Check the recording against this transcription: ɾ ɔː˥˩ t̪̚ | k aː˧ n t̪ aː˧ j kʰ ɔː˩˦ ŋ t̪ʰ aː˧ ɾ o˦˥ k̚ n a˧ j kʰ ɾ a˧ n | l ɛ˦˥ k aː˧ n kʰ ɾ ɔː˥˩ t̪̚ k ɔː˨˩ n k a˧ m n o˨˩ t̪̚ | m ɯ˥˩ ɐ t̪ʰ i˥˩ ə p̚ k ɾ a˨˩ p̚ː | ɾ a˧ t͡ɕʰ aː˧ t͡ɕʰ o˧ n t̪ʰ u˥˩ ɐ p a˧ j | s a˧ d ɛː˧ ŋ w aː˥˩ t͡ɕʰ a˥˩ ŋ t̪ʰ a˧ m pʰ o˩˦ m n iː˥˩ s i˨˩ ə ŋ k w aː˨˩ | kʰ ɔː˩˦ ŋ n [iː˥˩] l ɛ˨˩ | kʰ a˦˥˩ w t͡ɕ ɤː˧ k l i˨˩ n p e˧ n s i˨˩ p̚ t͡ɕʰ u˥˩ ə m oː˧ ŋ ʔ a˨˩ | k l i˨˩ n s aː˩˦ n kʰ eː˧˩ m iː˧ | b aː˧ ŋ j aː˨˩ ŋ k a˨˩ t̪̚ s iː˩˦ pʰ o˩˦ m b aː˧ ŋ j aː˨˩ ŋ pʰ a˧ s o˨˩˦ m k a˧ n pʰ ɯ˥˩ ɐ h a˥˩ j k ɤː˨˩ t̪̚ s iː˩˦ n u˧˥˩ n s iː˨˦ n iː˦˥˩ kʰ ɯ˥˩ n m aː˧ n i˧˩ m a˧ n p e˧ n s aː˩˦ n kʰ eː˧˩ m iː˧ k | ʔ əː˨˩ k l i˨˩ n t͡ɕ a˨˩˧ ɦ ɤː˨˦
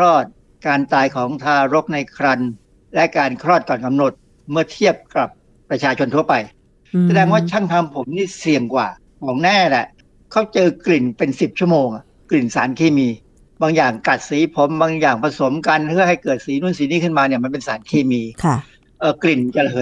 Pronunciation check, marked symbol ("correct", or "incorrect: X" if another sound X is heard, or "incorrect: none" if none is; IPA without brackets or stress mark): incorrect: ɛː˥˩